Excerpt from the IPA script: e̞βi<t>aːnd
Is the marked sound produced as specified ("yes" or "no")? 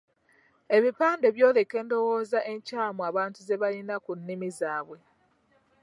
no